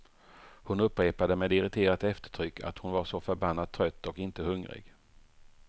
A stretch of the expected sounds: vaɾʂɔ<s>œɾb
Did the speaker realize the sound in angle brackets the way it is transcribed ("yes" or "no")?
no